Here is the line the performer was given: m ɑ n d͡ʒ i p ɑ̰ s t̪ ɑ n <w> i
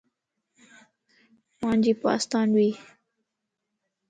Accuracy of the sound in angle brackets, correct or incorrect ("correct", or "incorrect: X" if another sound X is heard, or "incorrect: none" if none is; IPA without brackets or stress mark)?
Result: correct